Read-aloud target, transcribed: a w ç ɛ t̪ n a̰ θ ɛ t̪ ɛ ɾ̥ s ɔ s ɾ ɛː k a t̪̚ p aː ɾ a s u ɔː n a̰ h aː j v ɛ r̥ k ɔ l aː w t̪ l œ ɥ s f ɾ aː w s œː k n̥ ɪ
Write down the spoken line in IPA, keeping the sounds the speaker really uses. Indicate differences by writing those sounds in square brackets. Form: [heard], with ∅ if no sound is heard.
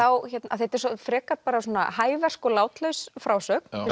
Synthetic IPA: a w ç ɛ t̪ n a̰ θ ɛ t̪ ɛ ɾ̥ s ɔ [f] ɾ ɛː k a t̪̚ p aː ɾ a s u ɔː n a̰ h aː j v ɛ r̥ k ɔ l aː w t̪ l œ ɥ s f ɾ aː w s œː k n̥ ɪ